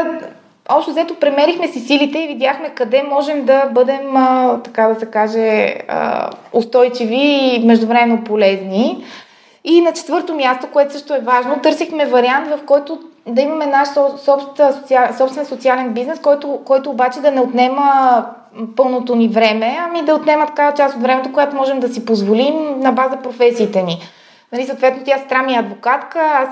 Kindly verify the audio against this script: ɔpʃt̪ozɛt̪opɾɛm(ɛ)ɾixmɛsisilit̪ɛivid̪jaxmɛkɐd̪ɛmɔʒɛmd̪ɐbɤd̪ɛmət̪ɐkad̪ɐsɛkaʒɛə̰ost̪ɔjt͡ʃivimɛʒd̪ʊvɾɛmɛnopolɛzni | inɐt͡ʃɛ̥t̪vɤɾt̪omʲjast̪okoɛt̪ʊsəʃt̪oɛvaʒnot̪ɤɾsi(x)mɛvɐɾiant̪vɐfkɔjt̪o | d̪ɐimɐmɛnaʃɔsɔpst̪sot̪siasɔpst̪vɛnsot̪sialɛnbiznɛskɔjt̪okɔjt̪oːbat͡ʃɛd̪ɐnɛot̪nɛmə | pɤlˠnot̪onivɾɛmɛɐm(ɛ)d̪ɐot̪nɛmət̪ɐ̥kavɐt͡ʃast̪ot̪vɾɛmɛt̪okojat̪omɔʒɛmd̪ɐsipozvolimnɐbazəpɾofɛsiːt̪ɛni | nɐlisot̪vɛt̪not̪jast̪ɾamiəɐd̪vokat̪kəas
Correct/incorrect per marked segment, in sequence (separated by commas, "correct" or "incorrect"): correct, correct, incorrect